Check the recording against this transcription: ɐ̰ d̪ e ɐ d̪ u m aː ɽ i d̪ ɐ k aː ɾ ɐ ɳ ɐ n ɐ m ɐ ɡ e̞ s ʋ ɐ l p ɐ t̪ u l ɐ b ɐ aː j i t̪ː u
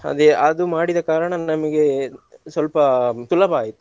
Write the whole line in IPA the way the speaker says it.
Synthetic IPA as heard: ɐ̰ d̪ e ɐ d̪ u m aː ɽ i d̪ ɐ k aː ɾ ɐ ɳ ɐ n ɐ m ɐ ɡ e̞ s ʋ ɐ l p ɐ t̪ u l ɐ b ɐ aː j i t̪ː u

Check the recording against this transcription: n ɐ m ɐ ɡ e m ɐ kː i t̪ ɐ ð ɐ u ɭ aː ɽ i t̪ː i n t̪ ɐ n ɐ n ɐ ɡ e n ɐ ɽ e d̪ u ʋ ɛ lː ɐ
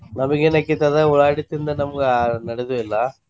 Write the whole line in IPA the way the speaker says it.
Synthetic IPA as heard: n ɐ m ɐ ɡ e n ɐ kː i t̪ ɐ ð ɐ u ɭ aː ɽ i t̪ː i n d̪ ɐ n ɐ m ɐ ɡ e n ɐ ɽ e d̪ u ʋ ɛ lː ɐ

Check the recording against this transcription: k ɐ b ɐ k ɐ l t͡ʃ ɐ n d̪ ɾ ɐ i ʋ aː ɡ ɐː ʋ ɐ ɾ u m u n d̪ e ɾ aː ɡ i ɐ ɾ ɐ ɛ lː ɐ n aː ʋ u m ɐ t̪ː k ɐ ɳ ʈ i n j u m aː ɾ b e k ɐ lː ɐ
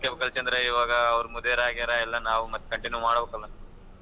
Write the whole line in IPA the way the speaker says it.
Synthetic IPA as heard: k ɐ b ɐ k ɐ l t͡ʃ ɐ n d̪ ɾ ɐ i ʋ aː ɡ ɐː ʋ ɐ ɾ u m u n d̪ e ɾ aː ɡ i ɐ ɾ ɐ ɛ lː ɐ n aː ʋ u m ɐ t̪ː k ɐ ɳ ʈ i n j u m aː ɽ b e k ɐ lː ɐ

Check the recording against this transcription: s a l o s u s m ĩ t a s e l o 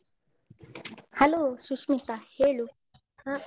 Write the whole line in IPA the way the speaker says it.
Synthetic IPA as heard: h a l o s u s m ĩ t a h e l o

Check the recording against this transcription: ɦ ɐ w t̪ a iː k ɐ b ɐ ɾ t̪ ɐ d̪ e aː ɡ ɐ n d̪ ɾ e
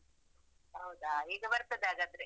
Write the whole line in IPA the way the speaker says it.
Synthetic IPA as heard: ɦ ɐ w d̪ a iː ɡ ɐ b ɐ ɾ t̪ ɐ d̪ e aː ɡ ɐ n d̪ ɾ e

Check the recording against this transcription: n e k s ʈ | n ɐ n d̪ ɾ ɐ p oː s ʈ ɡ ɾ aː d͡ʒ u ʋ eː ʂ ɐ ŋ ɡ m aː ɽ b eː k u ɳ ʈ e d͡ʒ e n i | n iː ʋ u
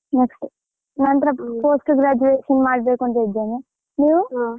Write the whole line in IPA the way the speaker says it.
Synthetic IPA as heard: n e k s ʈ | n ɐ n t̪ ɾ ɐ p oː s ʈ ɡ ɾ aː d͡ʒ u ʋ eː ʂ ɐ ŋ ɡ m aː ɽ b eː k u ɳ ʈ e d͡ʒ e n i | n iː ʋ u

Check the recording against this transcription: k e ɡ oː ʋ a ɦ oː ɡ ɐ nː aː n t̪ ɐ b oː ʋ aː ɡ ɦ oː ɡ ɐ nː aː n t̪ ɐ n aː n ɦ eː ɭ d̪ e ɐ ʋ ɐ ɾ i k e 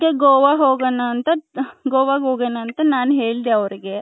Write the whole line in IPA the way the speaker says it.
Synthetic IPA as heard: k e ɡ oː ʋ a ɦ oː ɡ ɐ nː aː n t̪ ɐ ɡ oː ʋ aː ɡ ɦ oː ɡ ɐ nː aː n t̪ ɐ n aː n ɦ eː ɭ d̪ e ɐ ʋ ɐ ɾ i ɡ e

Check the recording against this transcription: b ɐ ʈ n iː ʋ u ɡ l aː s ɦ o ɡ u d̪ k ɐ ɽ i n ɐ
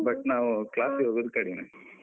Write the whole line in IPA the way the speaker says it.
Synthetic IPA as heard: b ɐ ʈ n aː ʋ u k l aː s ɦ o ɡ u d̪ k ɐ ɽ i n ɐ

